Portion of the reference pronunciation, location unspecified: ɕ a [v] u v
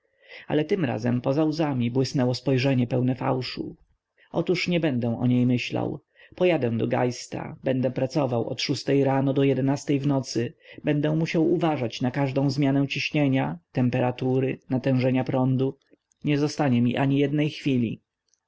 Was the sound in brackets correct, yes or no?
no